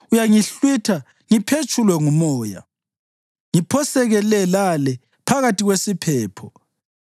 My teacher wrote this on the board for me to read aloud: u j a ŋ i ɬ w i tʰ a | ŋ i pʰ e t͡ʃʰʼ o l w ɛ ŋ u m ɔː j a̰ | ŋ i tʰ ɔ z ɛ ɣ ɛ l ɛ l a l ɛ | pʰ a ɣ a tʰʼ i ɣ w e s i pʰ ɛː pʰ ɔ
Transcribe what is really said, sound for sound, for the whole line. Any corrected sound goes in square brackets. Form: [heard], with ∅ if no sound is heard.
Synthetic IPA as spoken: u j a ŋ i ɬ w i tʰ a | ŋ i pʰ e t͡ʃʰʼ [u] l w ɛ ŋ u m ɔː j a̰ | ŋ i [pʰ] ɔ [s] ɛ ɣ ɛ l ɛ l a l ɛ | pʰ a ɣ a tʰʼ i ɣ w e s i pʰ ɛː pʰ ɔ